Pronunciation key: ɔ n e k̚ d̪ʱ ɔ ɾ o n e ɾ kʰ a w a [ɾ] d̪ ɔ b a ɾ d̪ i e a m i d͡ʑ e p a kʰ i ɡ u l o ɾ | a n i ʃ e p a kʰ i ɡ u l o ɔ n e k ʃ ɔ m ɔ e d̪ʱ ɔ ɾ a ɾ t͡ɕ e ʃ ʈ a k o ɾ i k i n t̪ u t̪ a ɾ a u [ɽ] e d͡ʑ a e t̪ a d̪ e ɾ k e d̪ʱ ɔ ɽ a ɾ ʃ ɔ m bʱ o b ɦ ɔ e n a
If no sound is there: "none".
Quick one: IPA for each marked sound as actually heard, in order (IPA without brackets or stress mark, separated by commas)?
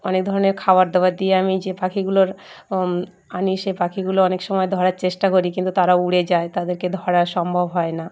ɾ, ɽ